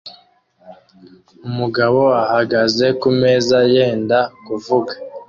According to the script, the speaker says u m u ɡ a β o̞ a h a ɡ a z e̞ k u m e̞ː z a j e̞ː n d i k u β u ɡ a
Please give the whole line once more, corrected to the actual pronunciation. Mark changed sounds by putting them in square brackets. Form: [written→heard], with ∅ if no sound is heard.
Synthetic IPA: u m u ɡ a β o̞ a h a ɡ a z e̞ k u m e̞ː z a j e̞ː n d [i→a] k u [β→v] u ɡ a